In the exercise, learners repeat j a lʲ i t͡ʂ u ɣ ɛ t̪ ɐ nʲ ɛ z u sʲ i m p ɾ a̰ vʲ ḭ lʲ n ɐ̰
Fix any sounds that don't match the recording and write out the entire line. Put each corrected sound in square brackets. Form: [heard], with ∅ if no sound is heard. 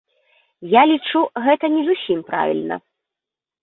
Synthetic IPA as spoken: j a lʲ i t͡ʂ u ɣ ɛ t̪ ɐ nʲ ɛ z u sʲ i m p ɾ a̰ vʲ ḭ lʲ n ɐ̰